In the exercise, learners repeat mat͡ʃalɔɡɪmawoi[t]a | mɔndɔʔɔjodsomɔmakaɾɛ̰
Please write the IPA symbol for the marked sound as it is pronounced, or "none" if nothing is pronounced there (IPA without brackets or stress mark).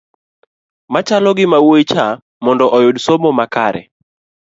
t͡ʃ